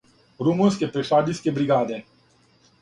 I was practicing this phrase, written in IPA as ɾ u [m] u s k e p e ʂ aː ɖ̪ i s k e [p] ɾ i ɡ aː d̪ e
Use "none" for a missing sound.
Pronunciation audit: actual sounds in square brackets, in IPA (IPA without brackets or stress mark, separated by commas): m, b